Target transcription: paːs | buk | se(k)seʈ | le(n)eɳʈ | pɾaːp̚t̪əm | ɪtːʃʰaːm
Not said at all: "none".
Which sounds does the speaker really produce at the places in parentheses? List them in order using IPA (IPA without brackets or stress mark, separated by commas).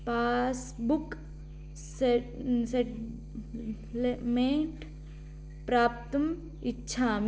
none, m